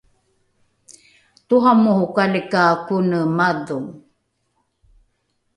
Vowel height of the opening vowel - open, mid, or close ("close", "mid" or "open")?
close